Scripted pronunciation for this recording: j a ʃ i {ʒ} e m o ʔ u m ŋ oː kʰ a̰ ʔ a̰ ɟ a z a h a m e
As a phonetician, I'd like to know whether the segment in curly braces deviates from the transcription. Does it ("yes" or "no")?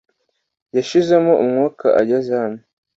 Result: yes